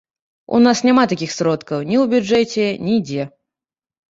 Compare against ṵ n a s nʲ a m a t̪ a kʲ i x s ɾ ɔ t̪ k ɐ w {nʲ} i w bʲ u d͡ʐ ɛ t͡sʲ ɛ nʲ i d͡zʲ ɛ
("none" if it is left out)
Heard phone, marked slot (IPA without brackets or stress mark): nʲ